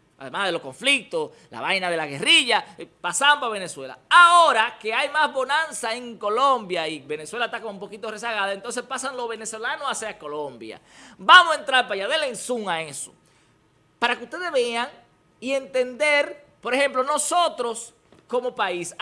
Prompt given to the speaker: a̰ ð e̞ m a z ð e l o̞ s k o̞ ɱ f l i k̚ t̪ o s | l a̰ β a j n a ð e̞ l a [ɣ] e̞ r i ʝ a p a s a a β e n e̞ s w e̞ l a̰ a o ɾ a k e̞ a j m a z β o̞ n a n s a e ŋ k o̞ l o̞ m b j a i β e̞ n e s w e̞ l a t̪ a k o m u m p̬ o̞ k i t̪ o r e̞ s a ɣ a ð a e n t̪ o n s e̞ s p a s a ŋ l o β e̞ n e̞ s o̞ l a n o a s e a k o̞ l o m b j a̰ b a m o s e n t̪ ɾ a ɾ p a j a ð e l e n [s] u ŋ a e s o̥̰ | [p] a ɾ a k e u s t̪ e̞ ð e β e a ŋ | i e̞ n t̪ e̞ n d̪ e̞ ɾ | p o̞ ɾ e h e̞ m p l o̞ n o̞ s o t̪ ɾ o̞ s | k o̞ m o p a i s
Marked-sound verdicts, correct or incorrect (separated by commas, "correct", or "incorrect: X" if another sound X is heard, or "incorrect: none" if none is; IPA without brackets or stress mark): correct, correct, correct